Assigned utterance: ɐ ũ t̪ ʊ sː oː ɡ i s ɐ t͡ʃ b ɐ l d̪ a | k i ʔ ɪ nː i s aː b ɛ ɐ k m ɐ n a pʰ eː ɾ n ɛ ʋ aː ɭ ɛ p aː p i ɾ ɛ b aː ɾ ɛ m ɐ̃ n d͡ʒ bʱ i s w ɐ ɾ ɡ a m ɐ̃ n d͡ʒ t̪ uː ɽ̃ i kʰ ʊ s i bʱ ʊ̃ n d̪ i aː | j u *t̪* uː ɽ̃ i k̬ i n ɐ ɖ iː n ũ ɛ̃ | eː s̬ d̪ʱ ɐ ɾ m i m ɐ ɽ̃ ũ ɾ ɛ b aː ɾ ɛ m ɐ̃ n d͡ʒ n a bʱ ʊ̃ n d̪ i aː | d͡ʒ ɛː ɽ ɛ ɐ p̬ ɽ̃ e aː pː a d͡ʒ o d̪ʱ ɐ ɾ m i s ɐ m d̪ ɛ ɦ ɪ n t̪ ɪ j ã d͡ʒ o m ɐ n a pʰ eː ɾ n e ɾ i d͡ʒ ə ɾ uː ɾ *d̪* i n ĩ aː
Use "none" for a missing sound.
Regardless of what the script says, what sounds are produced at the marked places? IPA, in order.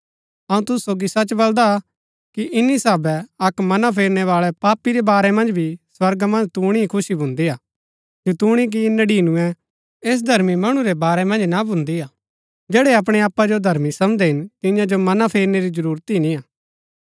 t̪, t̪

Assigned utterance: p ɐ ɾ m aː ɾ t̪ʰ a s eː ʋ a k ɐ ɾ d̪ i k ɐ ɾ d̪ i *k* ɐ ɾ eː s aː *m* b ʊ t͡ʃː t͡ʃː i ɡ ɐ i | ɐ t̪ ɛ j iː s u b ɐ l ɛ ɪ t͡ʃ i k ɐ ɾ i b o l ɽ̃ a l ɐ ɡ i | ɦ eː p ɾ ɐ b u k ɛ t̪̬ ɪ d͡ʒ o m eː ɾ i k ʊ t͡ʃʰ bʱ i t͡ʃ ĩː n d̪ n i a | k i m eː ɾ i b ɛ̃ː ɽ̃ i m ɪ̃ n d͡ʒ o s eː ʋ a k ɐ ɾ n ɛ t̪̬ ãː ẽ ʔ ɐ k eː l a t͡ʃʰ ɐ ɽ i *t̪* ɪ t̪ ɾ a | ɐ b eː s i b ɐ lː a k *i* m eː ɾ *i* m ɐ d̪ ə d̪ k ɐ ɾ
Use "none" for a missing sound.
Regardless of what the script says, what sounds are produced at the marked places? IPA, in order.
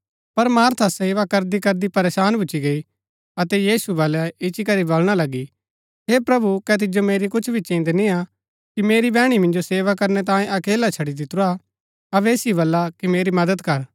p, n, d̪, i, i

